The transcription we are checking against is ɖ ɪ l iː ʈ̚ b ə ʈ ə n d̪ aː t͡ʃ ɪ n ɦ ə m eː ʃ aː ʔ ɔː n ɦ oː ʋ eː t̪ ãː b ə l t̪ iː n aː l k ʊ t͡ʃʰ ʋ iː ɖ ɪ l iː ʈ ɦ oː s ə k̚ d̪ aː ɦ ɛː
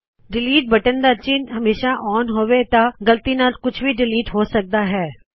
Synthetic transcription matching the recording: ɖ ɪ l iː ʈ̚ b ə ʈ ə n d̪ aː t͡ʃ ɪ n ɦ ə m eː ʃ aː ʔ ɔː n ɦ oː ʋ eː t̪ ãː ɡ ə l t̪ iː n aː l k ʊ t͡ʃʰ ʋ iː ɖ ɪ l iː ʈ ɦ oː s ə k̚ d̪ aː ɦ ɛː

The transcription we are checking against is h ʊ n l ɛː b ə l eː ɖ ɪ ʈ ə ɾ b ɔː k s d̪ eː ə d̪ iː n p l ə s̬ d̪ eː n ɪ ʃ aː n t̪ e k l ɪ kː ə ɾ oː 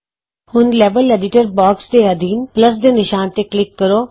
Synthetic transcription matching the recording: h ʊ n l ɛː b ə l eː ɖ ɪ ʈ ə ɾ b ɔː k s d̪ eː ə d̪ iː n p l ə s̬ d̪ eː n ɪ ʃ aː n t̪ e k l ɪ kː ə ɾ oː

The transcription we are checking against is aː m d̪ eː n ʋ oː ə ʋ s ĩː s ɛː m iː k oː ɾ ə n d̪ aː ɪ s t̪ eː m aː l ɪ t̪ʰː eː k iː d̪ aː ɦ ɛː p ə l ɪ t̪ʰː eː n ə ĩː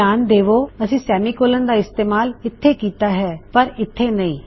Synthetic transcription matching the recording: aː n d̪ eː ʋ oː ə s ĩː s ɛː m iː k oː l ə n d̪ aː ɪ s t̪ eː m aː l ɪ t̪ʰː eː k iː t̪ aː ɦ ɛː p ə ɾ ɪ t̪ʰː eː n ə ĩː

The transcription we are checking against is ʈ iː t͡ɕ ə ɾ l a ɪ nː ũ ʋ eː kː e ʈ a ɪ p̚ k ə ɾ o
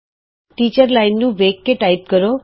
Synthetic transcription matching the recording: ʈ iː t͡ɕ ə ɾ l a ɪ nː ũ ʋ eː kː e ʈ a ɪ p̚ k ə ɾ o

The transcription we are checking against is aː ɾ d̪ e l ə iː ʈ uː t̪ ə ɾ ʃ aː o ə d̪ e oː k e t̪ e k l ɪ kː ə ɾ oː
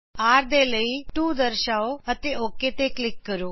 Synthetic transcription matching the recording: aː ɾ d̪ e l ə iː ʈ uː d̪ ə ɾ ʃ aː o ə t̪ e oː k e t̪ e k l ɪ kː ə ɾ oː

